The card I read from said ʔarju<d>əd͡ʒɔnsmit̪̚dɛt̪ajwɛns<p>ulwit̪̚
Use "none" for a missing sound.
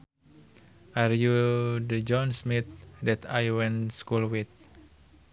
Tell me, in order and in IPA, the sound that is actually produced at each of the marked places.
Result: d, k

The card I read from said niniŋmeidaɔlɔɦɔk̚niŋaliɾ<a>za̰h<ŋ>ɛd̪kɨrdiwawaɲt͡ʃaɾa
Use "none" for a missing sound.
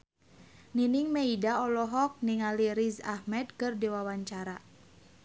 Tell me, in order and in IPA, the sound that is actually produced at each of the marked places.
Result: i, m

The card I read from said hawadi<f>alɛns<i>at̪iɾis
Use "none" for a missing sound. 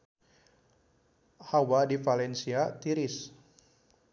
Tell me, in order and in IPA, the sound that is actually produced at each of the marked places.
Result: f, i

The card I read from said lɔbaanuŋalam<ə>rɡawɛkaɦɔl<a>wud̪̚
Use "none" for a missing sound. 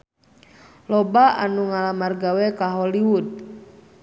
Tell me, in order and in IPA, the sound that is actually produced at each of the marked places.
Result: a, i

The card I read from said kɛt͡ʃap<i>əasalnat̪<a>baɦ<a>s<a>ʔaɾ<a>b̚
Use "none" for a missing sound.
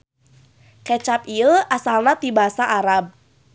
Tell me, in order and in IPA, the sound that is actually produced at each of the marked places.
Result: i, i, a, a, a

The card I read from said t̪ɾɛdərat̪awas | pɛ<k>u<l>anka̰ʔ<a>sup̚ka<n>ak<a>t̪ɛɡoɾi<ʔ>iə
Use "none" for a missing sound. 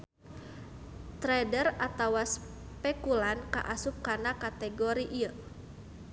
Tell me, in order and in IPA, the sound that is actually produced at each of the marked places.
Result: k, l, a, n, a, ʔ

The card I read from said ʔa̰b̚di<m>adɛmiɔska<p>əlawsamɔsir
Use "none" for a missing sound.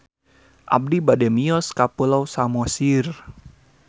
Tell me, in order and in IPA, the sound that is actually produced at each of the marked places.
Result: b, p

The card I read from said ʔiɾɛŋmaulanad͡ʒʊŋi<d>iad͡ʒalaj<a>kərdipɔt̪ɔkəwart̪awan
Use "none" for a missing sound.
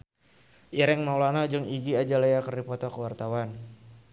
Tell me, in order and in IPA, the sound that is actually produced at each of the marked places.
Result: ɡ, a

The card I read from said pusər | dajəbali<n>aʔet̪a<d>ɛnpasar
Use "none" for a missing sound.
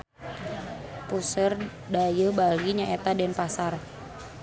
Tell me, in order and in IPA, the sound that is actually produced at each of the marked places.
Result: ɲ, d

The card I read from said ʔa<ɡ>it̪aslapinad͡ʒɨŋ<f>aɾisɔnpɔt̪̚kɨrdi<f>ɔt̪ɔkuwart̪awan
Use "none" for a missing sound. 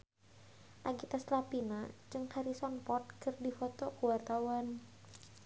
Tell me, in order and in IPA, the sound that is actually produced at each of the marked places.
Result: ɡ, h, f

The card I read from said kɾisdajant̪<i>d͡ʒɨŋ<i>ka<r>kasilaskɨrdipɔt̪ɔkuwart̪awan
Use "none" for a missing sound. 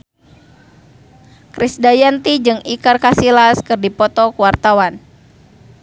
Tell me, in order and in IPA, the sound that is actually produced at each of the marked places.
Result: i, i, r

